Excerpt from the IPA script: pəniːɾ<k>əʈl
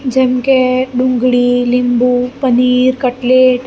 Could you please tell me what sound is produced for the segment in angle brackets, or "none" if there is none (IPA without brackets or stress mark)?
k